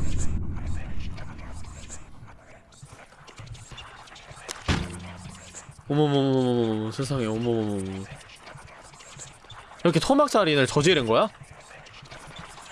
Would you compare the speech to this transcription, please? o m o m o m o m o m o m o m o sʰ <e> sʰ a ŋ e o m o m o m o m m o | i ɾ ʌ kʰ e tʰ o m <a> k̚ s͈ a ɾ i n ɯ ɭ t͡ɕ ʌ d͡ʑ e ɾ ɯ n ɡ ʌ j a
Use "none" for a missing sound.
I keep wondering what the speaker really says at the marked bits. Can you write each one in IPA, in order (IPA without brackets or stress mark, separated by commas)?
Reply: e, a